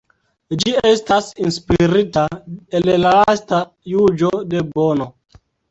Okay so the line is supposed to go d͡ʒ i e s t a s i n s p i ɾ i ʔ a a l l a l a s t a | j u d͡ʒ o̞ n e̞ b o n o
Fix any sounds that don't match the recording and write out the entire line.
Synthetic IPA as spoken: d͡ʒ i e s t a s i n s p i ɾ i t a e l l a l a s t a | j u d͡ʒ o̞ d e̞ b o n o